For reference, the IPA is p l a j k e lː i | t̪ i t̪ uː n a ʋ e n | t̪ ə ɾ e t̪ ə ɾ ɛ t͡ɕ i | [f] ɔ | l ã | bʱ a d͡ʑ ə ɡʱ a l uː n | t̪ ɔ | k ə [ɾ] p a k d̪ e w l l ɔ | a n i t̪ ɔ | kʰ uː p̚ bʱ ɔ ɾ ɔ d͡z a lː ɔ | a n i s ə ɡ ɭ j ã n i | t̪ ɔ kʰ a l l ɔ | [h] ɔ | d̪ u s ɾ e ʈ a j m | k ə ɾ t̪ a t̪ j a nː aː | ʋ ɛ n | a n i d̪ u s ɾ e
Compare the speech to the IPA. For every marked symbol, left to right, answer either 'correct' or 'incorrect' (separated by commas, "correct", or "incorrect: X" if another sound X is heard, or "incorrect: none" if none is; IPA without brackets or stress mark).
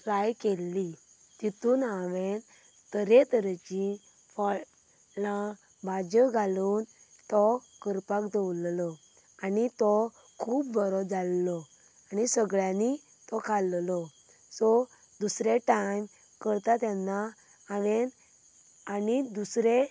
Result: correct, correct, incorrect: s